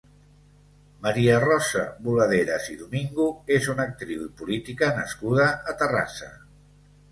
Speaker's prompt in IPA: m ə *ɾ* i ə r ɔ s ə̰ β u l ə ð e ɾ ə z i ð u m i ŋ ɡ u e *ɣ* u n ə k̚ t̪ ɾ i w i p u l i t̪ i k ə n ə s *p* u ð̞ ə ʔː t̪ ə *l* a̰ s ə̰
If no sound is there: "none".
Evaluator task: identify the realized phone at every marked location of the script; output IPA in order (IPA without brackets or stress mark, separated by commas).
ɾ, z, k, r